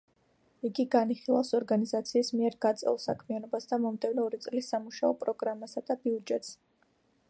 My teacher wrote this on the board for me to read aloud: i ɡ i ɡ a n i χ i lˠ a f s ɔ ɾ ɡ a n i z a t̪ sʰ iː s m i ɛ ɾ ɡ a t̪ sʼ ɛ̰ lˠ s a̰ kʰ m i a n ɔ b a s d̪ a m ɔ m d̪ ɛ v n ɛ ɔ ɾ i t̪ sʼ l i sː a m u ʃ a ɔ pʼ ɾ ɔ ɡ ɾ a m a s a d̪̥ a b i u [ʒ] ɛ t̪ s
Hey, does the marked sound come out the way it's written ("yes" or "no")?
no